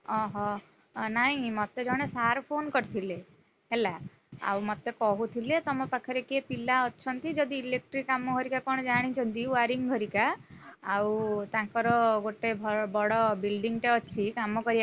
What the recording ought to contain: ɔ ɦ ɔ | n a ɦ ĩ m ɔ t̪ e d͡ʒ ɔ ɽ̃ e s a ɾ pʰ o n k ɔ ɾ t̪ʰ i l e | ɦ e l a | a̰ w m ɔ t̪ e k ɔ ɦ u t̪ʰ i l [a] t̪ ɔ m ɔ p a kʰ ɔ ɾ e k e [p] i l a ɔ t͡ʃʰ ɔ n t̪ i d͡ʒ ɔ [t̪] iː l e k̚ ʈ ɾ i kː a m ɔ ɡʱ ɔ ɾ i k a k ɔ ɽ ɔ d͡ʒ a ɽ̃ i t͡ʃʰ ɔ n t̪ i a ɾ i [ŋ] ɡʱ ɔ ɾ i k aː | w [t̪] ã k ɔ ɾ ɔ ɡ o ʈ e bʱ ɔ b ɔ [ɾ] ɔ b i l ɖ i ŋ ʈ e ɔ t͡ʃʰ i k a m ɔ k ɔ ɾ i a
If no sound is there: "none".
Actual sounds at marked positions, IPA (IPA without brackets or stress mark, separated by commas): e, p, d̪, ŋ, t̪, ɽ